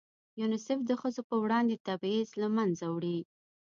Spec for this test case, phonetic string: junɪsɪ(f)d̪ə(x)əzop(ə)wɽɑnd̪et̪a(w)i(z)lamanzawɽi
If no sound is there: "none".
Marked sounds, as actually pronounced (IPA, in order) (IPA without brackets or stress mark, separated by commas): f, x, ə, b, z